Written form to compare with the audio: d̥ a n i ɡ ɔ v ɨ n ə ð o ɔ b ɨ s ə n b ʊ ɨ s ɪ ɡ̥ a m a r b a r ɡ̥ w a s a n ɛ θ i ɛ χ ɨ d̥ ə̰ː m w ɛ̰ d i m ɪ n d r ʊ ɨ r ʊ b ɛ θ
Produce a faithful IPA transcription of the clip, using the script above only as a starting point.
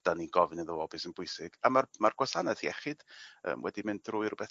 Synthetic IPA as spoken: d̥ a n i ɡ ɔ v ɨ n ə ð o ɔ b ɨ s ə n b ʊ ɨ s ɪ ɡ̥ a m a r m a r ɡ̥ w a s a n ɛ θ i ɛ χ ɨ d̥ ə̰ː m w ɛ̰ d i m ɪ n d r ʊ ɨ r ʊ b ɛ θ